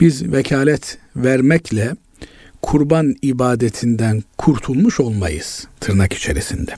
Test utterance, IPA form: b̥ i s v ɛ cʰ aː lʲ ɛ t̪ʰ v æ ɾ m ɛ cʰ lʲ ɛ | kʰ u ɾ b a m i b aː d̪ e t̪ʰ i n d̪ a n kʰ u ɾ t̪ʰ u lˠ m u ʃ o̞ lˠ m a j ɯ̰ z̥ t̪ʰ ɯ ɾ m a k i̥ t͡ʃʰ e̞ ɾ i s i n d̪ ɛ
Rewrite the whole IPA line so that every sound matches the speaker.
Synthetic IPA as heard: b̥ i z v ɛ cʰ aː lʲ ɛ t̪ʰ v æ ɾ m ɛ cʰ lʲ ɛ | kʰ u ɾ b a n i b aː d̪ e t̪ʰ i n d̪ æ n kʰ u ɾ t̪ʰ u lˠ m u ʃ o̞ lˠ m a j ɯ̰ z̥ t̪ʰ ɯ ɾ n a k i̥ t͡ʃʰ e̞ ɾ i s i n d̪ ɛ